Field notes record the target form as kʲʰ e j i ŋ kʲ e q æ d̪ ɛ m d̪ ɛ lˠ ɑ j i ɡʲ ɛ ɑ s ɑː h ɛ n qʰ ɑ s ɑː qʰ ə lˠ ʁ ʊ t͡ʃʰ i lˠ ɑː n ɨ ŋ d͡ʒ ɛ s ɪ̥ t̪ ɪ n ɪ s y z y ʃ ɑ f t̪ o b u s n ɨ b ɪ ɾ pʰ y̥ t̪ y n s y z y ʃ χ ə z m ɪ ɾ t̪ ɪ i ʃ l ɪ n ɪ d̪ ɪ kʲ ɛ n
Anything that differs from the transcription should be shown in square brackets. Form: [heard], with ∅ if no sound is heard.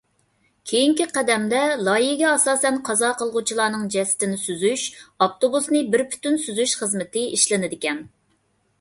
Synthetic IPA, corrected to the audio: kʲʰ e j i ŋ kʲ [i] q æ d̪ ɛ m d̪ ɛ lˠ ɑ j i ɡʲ ɛ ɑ s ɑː [s] ɛ n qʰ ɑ [z] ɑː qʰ ə lˠ ʁ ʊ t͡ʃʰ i lˠ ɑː n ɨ ŋ d͡ʒ ɛ s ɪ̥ t̪ ɪ n ɪ s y z y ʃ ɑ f t̪ o b u s n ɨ b ɪ ɾ pʰ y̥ t̪ y n s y z y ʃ χ ə z m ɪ [∅] t̪ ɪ i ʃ l ɪ n ɪ d̪ ɪ kʲ ɛ n